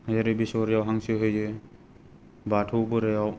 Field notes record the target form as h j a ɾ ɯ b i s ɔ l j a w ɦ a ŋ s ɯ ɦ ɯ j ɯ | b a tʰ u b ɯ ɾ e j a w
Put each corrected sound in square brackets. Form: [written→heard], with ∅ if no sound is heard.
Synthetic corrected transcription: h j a ɾ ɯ b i s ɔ [l→ɾ] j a w ɦ a ŋ s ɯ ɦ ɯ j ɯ | b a tʰ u b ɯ ɾ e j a w